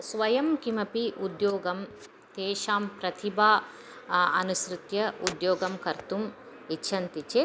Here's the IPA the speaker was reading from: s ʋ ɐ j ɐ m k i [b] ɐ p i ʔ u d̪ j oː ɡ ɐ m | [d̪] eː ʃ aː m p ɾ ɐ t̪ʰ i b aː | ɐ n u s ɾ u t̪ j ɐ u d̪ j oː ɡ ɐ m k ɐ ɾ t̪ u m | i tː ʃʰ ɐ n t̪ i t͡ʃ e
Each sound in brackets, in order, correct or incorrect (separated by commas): incorrect, incorrect